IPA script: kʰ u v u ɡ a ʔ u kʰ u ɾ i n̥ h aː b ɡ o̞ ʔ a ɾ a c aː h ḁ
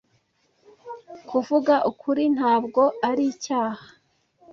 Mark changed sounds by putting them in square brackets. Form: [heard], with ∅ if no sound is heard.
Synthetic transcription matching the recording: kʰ u v u ɡ a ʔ u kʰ u ɾ i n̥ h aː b ɡ o̞ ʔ a ɾ [i] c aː h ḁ